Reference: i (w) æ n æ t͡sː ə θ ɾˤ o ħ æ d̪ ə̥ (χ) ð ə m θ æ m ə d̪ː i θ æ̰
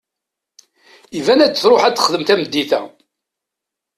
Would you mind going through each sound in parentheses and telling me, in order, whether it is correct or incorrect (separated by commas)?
incorrect, correct